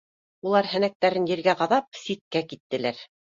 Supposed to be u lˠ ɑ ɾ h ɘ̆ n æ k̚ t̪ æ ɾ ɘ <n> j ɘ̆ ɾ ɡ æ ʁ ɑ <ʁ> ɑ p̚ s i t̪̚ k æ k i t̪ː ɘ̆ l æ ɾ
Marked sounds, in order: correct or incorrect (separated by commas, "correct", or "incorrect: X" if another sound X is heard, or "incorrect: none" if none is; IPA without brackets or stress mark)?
correct, incorrect: ð